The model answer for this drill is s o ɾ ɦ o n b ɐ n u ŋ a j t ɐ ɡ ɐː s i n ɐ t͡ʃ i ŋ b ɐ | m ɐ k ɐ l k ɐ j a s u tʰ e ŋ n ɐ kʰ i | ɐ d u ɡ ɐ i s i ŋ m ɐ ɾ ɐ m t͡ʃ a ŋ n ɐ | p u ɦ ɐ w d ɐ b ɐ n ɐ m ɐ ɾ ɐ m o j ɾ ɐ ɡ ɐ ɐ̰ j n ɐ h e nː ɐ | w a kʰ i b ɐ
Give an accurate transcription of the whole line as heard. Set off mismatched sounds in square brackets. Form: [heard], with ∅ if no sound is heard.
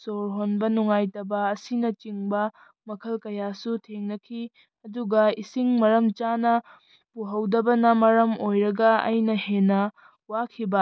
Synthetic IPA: s o ɾ ɦ o n b ɐ n u ŋ a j t ɐ [b] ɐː s i n ɐ t͡ʃ i ŋ b ɐ | m ɐ [kʰ] ɐ l k ɐ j a s u tʰ e ŋ n ɐ kʰ i | ɐ d u ɡ ɐ i s i ŋ m ɐ ɾ ɐ m t͡ʃ a [∅] n ɐ | p u ɦ ɐ w d ɐ b ɐ n ɐ m ɐ ɾ ɐ m o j ɾ ɐ ɡ ɐ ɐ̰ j n ɐ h e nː ɐ | w a kʰ i b ɐ